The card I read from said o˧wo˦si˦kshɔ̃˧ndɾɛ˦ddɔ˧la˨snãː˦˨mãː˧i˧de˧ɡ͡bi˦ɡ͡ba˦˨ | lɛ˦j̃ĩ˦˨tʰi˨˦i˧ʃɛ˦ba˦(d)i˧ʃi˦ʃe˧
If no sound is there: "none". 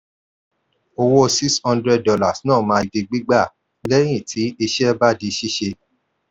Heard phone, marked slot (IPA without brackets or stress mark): d